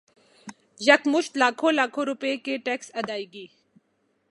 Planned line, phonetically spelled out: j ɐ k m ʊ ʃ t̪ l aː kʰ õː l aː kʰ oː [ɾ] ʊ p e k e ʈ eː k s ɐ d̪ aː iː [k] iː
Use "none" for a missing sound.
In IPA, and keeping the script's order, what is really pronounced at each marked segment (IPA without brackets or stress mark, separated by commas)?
ɾ, ɡ